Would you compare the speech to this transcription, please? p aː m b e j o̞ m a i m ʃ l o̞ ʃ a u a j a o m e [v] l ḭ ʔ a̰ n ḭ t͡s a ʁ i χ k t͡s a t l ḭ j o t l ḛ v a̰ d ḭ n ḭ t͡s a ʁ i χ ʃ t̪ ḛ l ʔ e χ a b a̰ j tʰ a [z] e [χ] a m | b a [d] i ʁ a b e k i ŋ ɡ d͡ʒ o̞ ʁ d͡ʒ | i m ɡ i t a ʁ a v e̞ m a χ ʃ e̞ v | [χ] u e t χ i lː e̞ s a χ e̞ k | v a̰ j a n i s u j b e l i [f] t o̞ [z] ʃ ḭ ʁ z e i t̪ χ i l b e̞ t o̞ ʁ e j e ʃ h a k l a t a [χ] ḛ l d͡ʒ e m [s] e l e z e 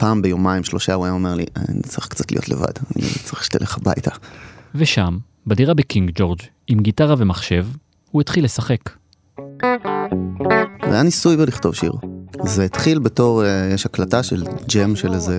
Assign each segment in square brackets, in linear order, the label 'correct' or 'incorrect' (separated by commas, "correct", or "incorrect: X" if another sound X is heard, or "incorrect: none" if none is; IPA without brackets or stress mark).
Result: incorrect: ʁ, incorrect: v, incorrect: ʃ, correct, incorrect: h, incorrect: χ, incorrect: v, incorrect: ʃ, incorrect: ʃ